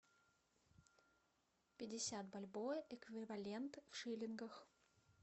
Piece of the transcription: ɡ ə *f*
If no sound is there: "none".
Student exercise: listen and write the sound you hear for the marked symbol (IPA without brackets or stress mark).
x